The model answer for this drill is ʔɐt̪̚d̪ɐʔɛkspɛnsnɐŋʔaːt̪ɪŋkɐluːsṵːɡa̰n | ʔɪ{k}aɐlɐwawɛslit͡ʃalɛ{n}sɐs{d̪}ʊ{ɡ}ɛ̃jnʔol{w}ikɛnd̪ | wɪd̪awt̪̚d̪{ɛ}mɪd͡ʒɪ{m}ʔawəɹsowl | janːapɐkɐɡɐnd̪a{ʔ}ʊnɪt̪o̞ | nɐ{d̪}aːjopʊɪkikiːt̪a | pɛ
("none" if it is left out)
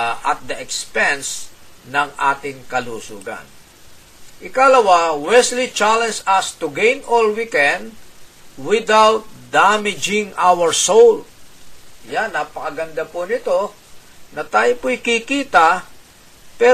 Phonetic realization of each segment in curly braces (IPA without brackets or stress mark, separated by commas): k, n, t̪, ɡ, w, a, ŋ, p, t̪